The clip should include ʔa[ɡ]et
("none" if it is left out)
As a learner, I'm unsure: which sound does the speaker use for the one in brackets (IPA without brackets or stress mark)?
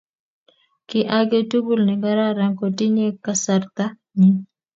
ɡ